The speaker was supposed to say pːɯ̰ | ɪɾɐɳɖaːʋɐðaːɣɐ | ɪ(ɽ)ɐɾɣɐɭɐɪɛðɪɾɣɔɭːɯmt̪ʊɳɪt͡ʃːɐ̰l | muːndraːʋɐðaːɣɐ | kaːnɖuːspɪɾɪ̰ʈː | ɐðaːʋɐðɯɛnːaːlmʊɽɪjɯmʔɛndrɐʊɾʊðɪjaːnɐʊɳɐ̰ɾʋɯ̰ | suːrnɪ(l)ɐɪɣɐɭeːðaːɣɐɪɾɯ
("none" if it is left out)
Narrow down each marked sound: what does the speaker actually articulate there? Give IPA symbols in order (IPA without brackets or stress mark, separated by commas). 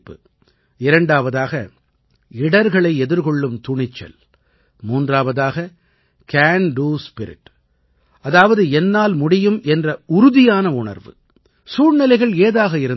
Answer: ɽ, l